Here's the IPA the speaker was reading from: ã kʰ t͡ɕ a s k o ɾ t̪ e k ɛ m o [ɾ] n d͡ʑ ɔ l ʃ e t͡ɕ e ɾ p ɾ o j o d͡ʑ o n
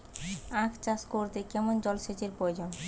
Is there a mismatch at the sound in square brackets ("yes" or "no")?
yes